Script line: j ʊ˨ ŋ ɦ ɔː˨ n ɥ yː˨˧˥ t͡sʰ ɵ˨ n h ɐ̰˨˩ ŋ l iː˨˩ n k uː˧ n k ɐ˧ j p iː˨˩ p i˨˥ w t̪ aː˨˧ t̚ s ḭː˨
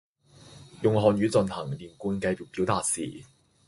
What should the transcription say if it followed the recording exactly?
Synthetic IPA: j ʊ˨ ŋ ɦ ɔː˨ n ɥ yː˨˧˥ t͡s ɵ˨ n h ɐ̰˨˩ ŋ l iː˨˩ n k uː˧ n k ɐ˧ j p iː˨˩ p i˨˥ w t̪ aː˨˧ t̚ s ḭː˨